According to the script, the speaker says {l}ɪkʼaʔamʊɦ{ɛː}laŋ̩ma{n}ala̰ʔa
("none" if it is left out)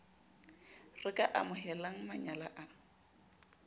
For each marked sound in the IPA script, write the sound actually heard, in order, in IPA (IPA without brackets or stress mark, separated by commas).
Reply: r, ɛ, ɲ